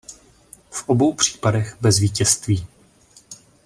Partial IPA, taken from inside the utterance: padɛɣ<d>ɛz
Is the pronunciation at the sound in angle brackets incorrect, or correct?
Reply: incorrect